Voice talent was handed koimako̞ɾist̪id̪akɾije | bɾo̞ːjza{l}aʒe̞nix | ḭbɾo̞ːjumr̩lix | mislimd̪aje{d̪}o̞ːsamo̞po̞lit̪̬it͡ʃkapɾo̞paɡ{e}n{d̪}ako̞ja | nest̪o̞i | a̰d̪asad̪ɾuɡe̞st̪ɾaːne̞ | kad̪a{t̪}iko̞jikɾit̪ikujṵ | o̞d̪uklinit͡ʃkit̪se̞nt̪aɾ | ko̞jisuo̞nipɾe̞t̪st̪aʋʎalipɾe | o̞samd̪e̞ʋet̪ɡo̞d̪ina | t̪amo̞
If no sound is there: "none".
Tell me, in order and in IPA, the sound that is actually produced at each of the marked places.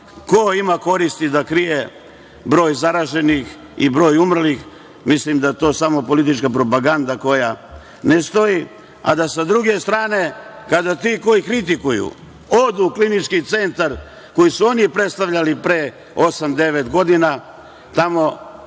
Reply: ɾ, t̪, a, d̪, t̪

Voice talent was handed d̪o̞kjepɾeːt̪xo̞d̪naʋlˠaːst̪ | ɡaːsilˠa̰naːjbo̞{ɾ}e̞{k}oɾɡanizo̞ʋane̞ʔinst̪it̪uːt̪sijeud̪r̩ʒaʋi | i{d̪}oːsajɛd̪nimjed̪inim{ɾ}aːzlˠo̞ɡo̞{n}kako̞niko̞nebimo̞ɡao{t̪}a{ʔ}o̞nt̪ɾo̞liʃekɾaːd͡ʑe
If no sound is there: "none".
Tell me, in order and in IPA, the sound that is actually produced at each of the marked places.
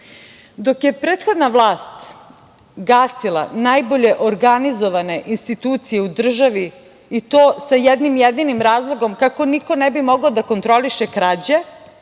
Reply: ʎ, ʔ, t̪, ɾ, m, d̪, k

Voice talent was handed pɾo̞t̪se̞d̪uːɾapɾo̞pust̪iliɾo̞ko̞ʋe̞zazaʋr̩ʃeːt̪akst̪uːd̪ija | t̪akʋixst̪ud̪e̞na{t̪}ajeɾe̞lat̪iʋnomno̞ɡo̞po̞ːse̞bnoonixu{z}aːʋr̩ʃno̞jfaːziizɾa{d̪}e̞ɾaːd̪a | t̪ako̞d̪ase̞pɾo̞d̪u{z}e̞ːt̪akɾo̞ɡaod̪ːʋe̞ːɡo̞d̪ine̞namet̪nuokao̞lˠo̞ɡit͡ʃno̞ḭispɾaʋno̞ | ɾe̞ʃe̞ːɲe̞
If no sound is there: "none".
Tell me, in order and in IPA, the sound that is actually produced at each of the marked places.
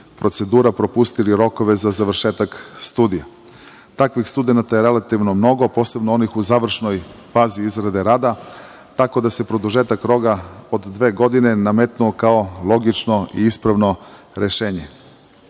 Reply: t̪, z, d̪, ʒ

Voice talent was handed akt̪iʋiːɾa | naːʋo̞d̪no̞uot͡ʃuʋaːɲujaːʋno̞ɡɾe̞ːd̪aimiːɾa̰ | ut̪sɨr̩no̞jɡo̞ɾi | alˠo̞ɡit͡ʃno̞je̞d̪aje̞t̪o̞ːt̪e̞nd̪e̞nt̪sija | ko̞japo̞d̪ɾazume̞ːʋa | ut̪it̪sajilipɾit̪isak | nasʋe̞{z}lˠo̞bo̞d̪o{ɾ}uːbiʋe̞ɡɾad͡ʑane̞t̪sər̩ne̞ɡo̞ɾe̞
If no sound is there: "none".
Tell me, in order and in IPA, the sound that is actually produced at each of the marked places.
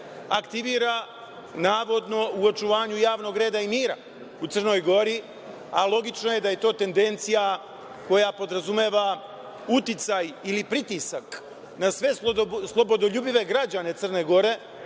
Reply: s, ʎ

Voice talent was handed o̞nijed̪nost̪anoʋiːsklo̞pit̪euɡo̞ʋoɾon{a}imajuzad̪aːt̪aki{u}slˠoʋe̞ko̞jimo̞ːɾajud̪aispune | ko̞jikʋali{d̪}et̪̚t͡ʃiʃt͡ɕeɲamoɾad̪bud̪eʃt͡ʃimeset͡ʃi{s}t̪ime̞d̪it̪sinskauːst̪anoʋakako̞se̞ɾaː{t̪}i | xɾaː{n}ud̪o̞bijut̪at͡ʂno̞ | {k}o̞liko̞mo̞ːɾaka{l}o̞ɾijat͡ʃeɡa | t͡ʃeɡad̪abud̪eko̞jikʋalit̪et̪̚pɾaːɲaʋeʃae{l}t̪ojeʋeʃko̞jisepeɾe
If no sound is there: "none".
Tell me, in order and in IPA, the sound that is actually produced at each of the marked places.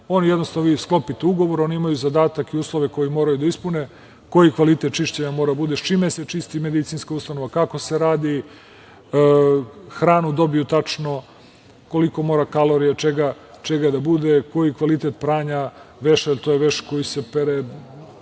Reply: i, uː, t̪, s, d̪, n, k, l, l

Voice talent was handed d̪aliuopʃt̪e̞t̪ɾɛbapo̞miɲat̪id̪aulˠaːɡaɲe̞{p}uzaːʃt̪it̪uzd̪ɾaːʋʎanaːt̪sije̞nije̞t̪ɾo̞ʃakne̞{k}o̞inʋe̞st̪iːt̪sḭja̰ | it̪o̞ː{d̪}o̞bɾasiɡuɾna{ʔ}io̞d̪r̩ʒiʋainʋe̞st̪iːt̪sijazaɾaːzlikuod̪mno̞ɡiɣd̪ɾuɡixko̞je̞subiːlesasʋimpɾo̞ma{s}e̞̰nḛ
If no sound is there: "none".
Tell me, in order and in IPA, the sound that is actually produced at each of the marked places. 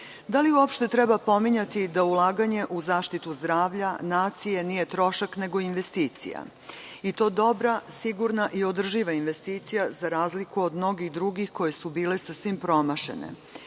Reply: ʔ, ɡ, d̪, ʔ, ʃ

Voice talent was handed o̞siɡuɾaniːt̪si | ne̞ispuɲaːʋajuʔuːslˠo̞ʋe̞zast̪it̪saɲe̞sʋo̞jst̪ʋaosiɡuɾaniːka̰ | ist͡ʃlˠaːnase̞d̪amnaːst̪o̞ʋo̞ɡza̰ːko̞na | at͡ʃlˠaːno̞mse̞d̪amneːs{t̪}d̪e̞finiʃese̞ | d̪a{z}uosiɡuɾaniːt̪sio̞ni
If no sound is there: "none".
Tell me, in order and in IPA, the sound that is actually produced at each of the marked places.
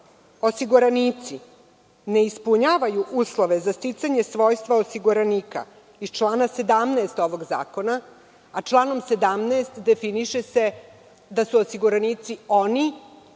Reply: t̪, s

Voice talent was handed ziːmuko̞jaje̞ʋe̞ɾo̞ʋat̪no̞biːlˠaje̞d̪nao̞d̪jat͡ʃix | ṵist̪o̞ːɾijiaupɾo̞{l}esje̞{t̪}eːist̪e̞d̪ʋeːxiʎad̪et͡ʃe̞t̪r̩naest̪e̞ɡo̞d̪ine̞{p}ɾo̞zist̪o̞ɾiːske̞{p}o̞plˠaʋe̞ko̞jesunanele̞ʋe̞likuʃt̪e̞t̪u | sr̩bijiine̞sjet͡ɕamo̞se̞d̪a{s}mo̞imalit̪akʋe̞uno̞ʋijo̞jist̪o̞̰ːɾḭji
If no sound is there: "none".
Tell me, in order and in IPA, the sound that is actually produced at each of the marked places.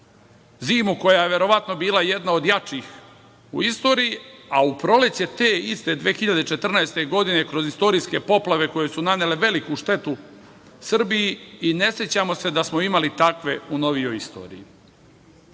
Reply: l, t̪, k, p, s

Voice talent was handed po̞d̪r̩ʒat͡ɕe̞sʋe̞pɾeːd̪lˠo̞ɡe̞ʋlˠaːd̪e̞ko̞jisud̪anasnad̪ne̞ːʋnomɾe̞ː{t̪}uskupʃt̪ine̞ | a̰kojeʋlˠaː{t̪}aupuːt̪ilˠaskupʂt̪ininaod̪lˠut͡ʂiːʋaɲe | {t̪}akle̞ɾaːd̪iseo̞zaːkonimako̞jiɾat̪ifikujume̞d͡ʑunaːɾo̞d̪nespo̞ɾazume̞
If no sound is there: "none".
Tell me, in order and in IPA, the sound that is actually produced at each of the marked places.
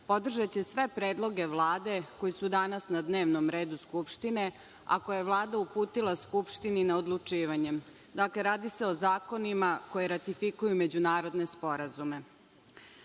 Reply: d̪, d̪, d̪

